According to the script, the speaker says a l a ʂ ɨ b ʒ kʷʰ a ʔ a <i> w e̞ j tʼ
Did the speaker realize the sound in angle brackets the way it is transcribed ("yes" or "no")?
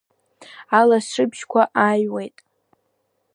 no